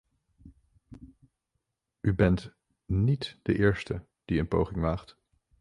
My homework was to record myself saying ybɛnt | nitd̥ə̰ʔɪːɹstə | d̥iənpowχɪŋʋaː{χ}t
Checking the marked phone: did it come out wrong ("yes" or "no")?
no